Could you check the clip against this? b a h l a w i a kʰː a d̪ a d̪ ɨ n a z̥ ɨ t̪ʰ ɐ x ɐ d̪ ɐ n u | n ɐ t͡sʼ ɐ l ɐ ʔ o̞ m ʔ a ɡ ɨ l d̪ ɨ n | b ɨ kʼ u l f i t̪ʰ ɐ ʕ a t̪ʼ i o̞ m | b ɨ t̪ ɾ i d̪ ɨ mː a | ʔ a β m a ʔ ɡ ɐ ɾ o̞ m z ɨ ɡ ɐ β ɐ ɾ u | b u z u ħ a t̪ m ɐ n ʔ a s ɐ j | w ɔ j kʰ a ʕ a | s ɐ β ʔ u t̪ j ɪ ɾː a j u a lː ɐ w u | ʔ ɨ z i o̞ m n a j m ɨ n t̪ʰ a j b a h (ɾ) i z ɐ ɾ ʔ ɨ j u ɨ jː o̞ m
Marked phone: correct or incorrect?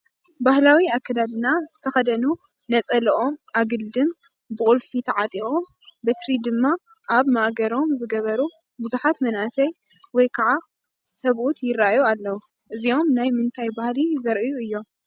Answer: incorrect